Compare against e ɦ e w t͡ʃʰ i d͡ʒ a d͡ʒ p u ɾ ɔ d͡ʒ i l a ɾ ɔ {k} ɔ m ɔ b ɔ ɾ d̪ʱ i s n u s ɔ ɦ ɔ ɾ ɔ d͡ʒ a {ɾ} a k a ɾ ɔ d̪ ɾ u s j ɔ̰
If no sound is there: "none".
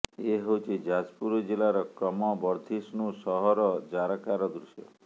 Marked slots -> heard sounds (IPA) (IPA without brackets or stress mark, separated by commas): k, ɾ